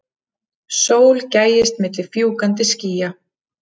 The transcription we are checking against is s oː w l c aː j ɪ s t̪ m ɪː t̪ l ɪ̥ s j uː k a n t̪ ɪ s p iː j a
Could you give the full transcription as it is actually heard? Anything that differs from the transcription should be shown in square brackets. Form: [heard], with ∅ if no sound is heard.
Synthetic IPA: s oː w l c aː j ɪ s t̪ m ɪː t̪ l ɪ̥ [f] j uː k a n t̪ ɪ s [c] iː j a